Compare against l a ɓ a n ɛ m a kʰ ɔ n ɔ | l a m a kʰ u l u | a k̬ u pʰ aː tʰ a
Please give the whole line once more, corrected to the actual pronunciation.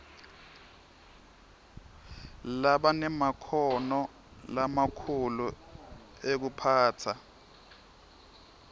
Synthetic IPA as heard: l a ɓ a n ɛ m a kʰ ɔ n ɔ | l a m a kʰ u l u | e k̬ u pʰ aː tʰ a